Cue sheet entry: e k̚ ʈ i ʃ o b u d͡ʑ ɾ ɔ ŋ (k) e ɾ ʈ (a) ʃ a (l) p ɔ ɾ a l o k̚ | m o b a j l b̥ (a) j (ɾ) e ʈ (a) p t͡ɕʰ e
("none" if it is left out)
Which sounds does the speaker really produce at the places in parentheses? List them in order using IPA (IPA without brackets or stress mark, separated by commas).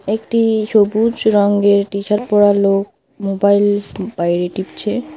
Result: ɡ, i, ɾ, a, ɾ, i